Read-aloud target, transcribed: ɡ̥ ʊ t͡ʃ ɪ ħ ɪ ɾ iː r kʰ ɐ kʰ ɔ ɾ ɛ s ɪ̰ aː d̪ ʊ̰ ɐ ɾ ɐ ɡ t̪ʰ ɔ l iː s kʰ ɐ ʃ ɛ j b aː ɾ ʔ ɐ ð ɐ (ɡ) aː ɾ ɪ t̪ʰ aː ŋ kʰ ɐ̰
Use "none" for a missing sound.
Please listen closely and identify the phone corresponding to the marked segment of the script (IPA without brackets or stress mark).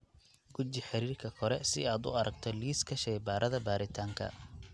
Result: b